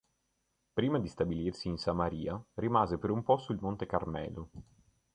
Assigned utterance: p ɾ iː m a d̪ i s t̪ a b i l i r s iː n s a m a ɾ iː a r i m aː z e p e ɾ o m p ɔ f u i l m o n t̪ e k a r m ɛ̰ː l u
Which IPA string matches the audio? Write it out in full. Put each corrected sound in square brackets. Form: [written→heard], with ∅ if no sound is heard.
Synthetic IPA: p ɾ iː m a d̪ i s t̪ a b i l i r s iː n s a m a ɾ iː a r i m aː z e p e ɾ [o→u] m p ɔ [f→s] u i l m o n t̪ e k a r m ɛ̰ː l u